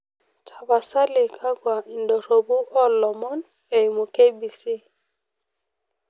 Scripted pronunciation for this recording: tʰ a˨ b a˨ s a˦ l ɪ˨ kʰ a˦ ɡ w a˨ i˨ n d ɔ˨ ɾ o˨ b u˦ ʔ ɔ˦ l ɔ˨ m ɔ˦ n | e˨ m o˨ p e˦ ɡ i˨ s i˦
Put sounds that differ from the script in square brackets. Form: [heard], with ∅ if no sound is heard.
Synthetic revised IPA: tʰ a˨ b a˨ s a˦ l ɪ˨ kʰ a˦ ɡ w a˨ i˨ n d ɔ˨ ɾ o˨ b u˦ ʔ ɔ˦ l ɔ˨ m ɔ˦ n | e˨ m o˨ [k] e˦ [b] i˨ s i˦